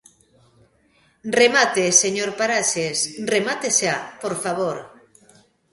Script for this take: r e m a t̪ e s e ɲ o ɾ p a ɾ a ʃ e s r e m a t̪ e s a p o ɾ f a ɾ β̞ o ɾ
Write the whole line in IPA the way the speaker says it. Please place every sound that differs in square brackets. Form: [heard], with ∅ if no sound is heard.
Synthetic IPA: r e m a t̪ e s e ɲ o ɾ p a ɾ a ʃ e s r e m a t̪ e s a p o ɾ f a [∅] β̞ o ɾ